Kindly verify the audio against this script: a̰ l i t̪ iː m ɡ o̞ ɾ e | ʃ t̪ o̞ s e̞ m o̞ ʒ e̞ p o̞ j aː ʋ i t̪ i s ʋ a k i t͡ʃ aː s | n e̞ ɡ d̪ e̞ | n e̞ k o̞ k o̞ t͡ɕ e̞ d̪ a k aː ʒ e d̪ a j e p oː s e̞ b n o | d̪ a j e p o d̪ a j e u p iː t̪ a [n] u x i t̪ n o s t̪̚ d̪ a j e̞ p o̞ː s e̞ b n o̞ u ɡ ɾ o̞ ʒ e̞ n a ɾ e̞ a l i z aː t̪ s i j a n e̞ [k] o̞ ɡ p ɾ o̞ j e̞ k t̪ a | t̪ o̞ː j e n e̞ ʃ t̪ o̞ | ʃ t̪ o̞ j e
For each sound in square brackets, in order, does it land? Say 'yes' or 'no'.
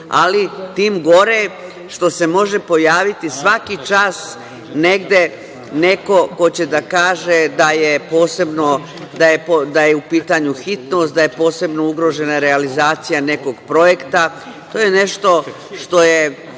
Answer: no, yes

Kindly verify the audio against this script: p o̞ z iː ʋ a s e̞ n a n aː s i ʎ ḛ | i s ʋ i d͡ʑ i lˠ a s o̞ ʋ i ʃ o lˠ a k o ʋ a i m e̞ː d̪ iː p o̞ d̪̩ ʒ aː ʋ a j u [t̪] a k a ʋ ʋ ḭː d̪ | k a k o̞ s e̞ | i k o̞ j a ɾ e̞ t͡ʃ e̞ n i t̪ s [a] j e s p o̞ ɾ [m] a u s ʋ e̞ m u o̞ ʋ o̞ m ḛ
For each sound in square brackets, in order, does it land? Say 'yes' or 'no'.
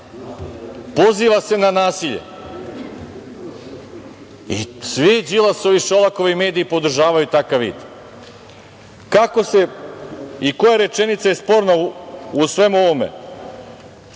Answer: yes, yes, no

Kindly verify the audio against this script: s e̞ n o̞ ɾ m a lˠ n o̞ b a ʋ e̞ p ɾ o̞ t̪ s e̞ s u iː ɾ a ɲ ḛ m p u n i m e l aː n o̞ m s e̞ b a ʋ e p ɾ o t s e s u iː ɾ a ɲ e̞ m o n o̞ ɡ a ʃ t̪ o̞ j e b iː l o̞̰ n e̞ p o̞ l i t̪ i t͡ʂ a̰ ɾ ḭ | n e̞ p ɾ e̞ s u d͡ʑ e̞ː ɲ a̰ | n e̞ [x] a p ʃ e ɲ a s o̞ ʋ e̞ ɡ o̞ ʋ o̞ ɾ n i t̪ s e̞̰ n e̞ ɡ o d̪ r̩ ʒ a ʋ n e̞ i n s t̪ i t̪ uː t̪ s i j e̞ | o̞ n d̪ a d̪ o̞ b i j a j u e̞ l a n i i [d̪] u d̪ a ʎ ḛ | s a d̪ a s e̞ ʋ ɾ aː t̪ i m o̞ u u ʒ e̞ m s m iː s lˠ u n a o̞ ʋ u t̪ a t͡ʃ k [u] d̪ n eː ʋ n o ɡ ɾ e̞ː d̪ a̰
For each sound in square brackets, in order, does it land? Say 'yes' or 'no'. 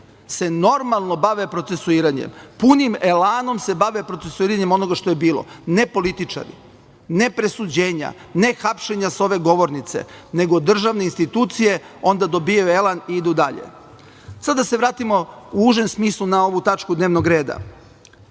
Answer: yes, yes, yes

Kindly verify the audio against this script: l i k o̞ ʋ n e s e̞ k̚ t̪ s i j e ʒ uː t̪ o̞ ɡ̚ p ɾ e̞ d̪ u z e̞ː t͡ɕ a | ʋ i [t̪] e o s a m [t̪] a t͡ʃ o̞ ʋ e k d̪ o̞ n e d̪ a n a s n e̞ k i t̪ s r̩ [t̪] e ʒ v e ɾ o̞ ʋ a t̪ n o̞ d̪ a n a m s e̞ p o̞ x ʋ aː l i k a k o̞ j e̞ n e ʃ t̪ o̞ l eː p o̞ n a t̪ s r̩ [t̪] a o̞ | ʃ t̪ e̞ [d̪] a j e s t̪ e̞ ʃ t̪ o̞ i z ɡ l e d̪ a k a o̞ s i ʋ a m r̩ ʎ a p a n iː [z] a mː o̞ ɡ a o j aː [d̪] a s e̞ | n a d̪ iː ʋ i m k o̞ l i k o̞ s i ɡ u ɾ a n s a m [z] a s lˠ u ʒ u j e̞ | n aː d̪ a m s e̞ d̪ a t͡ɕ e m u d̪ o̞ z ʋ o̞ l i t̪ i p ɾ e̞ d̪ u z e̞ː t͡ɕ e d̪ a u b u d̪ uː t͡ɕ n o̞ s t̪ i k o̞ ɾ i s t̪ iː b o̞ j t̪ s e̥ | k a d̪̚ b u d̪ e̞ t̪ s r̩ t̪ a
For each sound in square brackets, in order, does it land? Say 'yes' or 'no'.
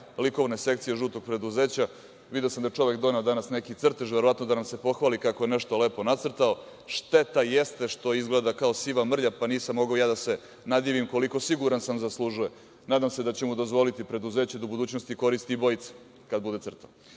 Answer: no, no, yes, yes, no, no, yes, yes

